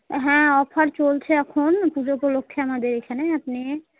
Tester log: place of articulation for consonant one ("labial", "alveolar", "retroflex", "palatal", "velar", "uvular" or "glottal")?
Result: glottal